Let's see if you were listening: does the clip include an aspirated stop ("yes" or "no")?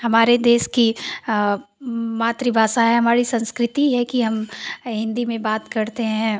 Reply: no